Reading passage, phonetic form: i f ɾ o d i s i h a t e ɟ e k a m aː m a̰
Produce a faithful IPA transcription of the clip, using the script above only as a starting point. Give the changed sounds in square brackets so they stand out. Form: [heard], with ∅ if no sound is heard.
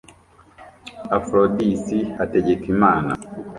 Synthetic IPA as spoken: [a] f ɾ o d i s i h a t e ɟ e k [i] m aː [n] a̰